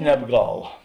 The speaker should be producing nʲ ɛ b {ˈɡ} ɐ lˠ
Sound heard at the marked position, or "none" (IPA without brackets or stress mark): ɡ